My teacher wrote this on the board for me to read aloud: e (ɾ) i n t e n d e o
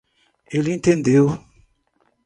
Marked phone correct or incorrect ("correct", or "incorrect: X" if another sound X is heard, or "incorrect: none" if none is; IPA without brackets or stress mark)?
incorrect: l